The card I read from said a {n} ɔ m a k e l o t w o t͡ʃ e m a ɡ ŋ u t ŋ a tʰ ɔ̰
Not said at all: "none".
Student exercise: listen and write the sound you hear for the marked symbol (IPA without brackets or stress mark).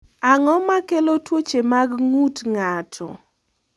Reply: ŋ